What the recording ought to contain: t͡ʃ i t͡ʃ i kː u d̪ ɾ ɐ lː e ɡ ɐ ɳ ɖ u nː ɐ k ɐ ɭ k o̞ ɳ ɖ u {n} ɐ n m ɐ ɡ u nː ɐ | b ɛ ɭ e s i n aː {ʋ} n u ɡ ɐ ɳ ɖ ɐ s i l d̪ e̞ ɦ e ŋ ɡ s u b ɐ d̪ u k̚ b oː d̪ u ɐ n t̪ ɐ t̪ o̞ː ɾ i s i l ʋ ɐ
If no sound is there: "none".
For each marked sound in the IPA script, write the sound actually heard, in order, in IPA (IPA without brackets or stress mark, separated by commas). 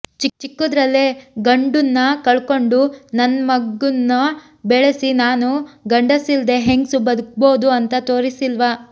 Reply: n, none